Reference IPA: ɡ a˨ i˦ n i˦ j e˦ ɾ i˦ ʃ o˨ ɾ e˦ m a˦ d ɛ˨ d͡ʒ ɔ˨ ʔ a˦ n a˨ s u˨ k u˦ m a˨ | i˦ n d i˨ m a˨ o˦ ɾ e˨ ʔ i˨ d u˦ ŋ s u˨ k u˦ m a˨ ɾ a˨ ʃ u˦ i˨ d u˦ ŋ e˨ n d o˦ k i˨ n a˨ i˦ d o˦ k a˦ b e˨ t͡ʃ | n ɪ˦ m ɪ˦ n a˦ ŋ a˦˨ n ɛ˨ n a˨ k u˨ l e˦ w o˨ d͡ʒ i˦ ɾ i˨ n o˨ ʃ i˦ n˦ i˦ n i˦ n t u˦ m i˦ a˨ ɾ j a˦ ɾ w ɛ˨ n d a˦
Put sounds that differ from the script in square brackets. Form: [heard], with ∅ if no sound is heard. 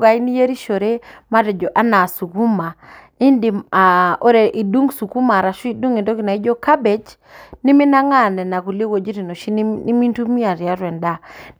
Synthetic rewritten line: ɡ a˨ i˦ n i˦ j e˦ ɾ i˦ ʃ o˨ ɾ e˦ m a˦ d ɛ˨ d͡ʒ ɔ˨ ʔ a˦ n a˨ s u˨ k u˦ m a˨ | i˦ n d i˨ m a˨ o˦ ɾ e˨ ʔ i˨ d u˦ ŋ s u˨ k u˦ m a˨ ɾ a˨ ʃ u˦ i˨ d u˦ ŋ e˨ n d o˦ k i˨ n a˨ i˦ [d͡ʒ] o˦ k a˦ b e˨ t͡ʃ | n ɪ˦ m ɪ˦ n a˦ ŋ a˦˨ n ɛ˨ n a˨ k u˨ l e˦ w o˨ d͡ʒ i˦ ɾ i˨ n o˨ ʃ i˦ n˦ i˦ [m] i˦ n t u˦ m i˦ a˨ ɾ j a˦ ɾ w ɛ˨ n d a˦